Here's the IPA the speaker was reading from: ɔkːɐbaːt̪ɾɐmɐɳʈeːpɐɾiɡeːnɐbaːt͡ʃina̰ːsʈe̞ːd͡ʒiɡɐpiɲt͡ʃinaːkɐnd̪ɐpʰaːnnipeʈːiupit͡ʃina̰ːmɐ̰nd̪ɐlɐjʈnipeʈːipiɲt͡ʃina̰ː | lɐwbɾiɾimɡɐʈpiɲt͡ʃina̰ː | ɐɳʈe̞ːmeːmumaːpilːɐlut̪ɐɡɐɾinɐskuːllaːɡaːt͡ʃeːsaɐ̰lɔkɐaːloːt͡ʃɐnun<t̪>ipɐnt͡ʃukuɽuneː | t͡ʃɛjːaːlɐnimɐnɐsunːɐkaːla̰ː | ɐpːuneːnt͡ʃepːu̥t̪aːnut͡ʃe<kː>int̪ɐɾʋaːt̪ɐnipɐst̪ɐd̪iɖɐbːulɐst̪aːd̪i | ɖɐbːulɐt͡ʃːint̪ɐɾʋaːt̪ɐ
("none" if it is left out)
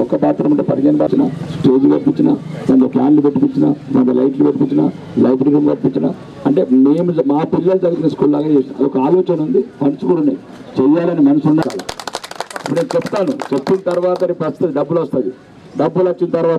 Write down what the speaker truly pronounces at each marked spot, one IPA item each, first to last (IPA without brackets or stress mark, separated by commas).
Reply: d̪, pː